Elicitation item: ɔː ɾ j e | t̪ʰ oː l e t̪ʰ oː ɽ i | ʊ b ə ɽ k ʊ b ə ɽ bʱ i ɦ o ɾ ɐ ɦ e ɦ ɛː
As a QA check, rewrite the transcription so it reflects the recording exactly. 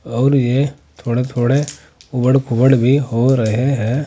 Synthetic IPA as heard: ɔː ɾ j e | t̪ʰ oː ɽ e t̪ʰ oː ɽ e | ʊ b ə ɽ k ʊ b ə ɽ bʱ i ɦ o ɾ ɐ ɦ e ɦ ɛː